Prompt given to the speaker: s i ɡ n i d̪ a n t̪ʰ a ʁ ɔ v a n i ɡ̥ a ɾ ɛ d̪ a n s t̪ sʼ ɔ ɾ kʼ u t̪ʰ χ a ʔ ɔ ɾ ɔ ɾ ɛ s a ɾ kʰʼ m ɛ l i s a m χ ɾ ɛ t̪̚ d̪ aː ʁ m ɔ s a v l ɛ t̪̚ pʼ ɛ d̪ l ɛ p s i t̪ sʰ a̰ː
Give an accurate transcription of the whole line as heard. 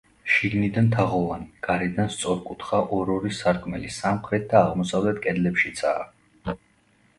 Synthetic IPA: ʃ i ɡ n i d̪ a n t̪ʰ a ʁ ɔ v a n i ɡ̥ a ɾ ɛ d̪ a n s t̪ sʼ ɔ ɾ kʼ u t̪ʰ χ a ʔ ɔ ɾ ɔ ɾ i s a ɾ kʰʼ m ɛ l i s a m χ ɾ ɛ t̪̚ d̪ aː ʁ m ɔ s a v l ɛ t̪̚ kʼ ɛ d̪ l ɛ p ʃ i t̪ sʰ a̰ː